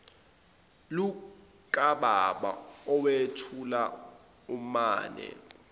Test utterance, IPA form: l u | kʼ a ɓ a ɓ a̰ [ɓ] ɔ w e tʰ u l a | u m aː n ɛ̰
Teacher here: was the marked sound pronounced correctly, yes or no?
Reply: no